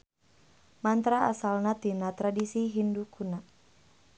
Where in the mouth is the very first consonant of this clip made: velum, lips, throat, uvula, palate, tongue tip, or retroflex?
lips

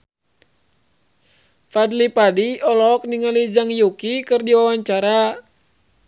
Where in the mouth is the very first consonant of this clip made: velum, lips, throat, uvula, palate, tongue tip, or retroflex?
lips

